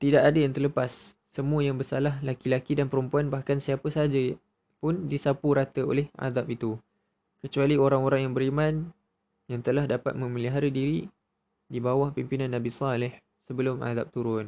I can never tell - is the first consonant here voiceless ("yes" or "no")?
yes